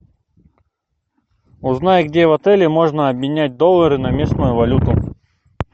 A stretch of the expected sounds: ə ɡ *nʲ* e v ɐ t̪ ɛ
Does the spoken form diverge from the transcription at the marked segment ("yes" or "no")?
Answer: yes